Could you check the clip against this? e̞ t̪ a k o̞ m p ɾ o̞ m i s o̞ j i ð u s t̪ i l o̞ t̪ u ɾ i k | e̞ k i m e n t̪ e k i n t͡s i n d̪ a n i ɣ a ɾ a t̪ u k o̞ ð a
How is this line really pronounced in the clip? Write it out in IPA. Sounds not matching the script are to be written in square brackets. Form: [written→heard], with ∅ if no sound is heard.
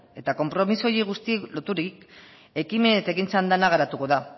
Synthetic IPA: e̞ t̪ a k o̞ m p ɾ o̞ m i s o̞ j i [ð→ɣ] u s t̪ i l o̞ t̪ u ɾ i k | e̞ k i m e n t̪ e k i n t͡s [i→a] n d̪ a n [i→a] ɣ a ɾ a t̪ u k o̞ ð a